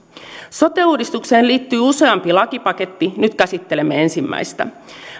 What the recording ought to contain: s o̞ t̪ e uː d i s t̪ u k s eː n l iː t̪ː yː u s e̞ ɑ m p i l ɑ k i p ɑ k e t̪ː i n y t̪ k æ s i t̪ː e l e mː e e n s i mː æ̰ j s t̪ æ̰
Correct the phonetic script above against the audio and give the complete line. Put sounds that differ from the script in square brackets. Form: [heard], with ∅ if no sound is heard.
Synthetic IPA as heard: s o̞ t̪ e uː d i s t̪ u k s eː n l iː t̪ː yː u s e̞ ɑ m p i l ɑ k i p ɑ k e t̪ː i n y t̪ k æ s i t̪ː e l e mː e e n s i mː æ̰ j s t̪ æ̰